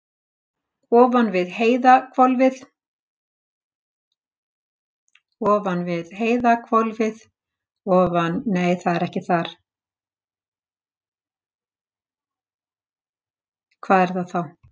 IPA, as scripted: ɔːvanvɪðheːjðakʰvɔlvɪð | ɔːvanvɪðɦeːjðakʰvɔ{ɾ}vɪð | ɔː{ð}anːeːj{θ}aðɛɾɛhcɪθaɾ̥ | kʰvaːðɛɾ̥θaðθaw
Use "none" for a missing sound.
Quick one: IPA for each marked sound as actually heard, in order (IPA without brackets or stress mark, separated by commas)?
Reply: l, v, θ